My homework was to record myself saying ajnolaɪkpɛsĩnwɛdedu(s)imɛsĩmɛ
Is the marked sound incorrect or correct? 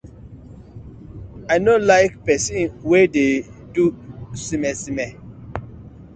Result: correct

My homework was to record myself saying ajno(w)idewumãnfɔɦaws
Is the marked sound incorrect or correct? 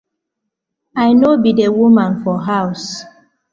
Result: incorrect: b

